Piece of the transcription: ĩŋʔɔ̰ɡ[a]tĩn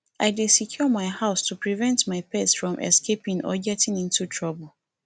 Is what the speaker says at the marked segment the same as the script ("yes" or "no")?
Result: no